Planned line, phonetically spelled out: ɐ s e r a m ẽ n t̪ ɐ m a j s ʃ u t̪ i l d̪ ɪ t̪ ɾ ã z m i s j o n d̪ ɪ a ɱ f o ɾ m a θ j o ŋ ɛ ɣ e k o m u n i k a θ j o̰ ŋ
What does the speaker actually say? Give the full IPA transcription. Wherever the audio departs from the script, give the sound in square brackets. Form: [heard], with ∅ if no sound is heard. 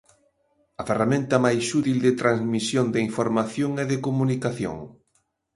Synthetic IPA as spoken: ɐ [f] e r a m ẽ n t̪ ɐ m a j s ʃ u t̪ i l d̪ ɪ t̪ ɾ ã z m i s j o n d̪ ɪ [i] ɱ f o ɾ m a θ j o ŋ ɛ [ð] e k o m u n i k a θ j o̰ ŋ